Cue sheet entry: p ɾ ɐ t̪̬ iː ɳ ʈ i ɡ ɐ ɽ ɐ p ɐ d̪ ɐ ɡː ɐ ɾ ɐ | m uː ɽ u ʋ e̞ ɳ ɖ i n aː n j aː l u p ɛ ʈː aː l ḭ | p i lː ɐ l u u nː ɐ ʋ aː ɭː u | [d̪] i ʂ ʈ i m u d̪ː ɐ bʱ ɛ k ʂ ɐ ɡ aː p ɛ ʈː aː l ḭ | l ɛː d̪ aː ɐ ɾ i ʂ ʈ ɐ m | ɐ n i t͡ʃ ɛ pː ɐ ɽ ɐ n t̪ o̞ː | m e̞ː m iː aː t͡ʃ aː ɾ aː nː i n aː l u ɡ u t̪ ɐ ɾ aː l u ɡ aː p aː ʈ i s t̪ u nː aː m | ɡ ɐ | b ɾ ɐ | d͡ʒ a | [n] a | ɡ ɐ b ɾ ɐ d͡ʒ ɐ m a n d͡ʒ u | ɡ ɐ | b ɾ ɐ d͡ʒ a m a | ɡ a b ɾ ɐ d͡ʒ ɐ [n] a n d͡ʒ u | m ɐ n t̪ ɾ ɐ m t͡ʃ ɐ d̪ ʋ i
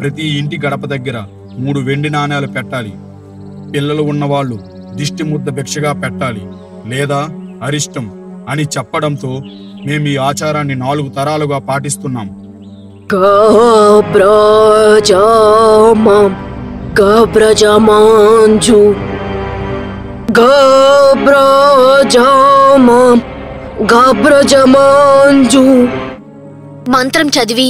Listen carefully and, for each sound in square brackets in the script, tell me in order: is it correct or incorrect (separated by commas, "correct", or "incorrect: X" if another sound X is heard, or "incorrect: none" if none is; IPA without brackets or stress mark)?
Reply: correct, incorrect: m, incorrect: m